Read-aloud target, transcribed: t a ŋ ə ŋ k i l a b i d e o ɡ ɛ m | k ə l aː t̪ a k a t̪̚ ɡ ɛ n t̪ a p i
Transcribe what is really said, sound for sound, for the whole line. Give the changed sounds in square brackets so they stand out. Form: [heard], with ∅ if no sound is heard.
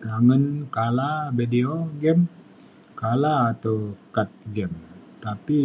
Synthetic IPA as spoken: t a ŋ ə [n] k [a] l a b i d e o ɡ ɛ m | k [a] l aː t̪ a k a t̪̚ ɡ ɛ [m] t̪ a p i